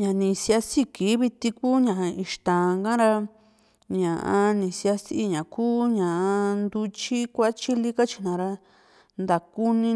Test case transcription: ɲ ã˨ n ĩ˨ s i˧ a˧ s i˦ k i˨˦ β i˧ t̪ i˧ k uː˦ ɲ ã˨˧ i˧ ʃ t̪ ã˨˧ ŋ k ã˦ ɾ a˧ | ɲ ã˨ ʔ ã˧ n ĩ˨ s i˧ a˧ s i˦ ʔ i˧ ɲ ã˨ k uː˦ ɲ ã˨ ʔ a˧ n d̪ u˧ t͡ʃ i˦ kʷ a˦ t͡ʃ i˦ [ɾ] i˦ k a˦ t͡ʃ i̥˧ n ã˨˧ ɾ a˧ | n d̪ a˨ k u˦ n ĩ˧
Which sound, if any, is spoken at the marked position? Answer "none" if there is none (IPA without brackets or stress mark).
l